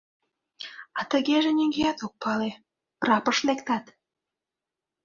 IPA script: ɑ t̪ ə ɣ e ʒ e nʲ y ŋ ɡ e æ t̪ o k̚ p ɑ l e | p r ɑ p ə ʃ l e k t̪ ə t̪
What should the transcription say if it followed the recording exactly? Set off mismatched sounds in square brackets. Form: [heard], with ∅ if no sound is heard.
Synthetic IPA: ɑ t̪ ə ɣ e ʒ e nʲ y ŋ ɡ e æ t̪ o k̚ p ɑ l e | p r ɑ p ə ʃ l e k t̪ [ɑ] t̪